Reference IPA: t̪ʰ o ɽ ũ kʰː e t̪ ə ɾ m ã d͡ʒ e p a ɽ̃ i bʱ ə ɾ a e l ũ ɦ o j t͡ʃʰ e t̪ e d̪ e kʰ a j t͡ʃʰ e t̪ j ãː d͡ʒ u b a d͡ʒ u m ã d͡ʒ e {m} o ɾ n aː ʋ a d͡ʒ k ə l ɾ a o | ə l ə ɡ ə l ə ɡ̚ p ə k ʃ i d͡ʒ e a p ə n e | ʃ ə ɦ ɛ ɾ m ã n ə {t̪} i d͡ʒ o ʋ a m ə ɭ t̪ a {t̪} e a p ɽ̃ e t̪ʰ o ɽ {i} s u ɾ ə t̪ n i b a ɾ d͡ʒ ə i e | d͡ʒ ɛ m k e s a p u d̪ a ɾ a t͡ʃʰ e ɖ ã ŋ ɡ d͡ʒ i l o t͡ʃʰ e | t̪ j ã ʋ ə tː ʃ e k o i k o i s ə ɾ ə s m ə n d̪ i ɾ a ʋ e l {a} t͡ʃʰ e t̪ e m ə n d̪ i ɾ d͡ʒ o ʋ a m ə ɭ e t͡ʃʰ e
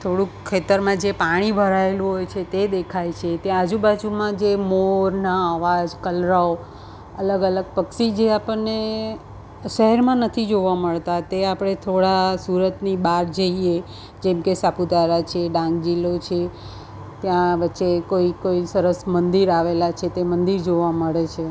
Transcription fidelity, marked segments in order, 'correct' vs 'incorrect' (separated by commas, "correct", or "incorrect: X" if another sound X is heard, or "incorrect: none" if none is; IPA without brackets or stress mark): correct, incorrect: t̪ʰ, correct, incorrect: a, correct